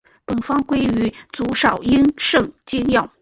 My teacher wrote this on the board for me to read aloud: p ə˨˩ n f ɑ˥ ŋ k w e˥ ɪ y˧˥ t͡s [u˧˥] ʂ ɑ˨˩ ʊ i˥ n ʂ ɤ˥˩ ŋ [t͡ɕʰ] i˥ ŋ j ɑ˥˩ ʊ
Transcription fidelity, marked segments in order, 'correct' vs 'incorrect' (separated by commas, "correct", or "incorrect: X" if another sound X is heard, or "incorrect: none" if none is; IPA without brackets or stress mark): correct, incorrect: t͡ɕ